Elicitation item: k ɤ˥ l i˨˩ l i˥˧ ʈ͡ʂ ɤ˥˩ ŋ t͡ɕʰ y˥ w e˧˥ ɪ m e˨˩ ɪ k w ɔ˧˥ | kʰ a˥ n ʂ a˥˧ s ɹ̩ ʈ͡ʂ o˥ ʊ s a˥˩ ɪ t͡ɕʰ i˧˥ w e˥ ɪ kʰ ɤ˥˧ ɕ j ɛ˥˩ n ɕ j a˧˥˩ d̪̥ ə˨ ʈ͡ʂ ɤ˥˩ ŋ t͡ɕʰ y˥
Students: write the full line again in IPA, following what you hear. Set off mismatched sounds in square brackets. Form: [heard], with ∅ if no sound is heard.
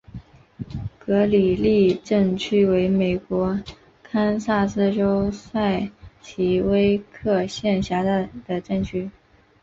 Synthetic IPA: k [ɤ˧˥] l i˨˩ l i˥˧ ʈ͡ʂ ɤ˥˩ ŋ t͡ɕʰ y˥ w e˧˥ ɪ m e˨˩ ɪ k w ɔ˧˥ | kʰ a˥ n [s] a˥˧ s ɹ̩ ʈ͡ʂ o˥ ʊ s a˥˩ ɪ t͡ɕʰ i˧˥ w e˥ ɪ kʰ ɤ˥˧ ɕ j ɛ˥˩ n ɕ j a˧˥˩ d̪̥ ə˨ ʈ͡ʂ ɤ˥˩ ŋ t͡ɕʰ y˥